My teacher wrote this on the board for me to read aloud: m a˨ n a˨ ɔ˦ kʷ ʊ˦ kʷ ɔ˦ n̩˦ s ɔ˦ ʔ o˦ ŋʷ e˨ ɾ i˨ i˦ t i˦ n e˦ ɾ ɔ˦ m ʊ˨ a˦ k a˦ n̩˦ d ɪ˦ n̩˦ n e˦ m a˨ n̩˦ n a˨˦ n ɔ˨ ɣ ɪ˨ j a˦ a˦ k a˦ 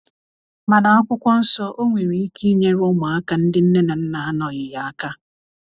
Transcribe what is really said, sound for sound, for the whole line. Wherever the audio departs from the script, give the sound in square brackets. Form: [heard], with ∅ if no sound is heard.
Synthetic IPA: m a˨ n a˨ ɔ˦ kʷ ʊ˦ kʷ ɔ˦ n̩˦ s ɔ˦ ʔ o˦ ŋʷ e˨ ɾ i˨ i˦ [k] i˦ [ɲ] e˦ ɾ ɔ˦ m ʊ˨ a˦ k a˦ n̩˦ d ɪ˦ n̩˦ n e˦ [n] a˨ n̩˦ n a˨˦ n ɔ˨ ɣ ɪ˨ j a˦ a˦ k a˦